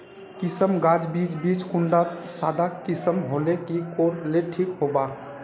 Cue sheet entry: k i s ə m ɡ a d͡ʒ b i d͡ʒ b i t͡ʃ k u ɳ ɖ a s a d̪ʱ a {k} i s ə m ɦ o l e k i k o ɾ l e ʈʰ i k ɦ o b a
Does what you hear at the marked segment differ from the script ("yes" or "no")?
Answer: no